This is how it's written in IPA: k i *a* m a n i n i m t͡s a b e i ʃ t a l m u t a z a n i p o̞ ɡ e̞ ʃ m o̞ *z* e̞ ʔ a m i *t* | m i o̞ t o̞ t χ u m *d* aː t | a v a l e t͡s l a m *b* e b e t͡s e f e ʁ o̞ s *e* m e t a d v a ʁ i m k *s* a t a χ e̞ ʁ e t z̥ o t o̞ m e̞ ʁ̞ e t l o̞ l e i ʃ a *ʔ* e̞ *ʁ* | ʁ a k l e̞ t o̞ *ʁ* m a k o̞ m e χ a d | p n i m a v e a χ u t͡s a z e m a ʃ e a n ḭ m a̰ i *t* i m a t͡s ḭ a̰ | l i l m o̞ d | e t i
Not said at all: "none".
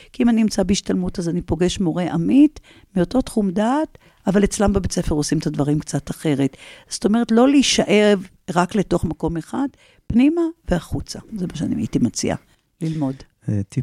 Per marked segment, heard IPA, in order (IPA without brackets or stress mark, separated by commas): i, ʁ, t, d, b, i, t͡s, ʔ, v, χ, t